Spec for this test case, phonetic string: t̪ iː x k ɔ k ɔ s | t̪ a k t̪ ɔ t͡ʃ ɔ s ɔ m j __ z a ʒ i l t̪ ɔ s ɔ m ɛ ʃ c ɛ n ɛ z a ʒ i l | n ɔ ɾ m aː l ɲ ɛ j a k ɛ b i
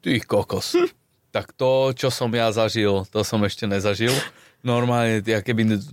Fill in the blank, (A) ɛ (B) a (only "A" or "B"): B